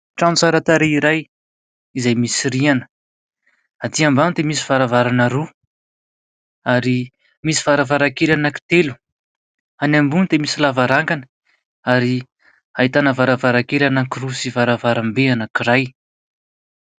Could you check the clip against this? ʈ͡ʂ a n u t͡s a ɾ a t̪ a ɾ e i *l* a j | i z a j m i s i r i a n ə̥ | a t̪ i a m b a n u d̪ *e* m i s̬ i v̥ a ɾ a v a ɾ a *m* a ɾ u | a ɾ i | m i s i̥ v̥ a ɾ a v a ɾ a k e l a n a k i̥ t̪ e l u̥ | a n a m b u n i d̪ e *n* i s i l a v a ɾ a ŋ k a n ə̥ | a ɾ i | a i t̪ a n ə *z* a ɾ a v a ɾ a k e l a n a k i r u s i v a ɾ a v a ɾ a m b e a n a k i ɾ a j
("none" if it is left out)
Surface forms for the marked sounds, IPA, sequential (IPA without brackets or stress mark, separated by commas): ɾ, e, n, m, v